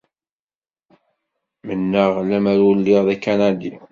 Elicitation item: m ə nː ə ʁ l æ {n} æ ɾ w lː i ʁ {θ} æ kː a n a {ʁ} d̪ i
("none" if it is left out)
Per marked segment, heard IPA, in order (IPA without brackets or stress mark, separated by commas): m, ð, none